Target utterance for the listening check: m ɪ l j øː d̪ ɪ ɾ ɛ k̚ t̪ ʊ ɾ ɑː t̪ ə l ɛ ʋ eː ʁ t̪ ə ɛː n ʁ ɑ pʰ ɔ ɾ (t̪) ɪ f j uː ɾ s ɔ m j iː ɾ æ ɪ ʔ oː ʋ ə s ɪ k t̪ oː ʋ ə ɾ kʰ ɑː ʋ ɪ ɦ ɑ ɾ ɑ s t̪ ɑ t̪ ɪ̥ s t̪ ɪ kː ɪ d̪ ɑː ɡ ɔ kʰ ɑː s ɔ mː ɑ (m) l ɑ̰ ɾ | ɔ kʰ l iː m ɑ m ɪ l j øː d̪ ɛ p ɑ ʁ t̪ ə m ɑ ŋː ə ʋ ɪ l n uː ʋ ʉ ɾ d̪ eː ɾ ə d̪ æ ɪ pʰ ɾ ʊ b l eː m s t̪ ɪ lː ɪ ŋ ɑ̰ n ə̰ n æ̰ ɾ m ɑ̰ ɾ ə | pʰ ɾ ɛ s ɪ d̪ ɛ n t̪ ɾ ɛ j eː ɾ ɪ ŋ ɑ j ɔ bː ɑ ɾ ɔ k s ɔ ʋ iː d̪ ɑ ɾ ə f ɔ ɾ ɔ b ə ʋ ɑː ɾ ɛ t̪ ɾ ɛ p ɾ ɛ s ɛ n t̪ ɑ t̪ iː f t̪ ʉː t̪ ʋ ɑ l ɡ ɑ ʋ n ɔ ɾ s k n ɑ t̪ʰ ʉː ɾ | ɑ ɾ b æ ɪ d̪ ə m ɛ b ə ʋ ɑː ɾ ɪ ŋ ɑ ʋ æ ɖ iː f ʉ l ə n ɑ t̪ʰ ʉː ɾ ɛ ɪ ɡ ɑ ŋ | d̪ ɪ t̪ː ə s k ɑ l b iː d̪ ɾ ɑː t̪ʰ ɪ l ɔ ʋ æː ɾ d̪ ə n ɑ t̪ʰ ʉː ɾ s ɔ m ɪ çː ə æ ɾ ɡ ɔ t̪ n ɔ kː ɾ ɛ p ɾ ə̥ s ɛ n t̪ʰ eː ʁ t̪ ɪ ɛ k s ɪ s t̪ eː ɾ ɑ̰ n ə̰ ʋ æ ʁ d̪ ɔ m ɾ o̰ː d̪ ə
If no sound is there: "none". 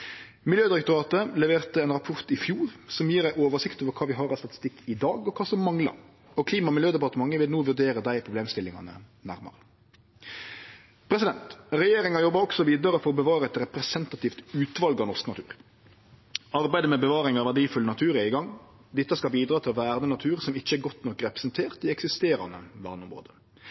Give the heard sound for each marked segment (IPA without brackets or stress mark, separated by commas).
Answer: t̪, ŋ